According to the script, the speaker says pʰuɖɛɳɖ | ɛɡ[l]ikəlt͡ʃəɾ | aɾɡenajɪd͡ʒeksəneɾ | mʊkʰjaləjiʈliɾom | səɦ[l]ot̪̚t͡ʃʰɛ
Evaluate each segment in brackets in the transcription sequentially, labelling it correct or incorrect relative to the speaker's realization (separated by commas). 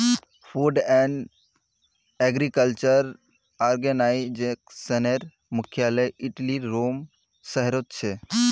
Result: incorrect, incorrect